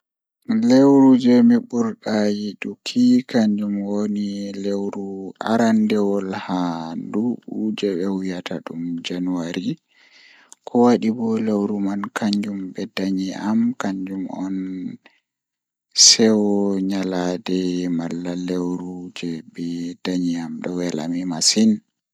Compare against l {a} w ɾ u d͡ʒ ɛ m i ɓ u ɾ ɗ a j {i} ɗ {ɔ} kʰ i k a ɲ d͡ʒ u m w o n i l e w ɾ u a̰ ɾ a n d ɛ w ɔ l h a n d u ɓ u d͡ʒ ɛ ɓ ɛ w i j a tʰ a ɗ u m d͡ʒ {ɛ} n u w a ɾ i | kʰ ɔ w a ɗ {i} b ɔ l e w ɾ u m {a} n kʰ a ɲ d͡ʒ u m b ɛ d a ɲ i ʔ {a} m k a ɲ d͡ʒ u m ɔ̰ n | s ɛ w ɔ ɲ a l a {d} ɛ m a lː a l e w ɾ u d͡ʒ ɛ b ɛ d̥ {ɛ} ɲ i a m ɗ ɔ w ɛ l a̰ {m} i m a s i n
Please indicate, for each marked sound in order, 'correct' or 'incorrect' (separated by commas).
incorrect, correct, incorrect, incorrect, correct, correct, correct, correct, incorrect, correct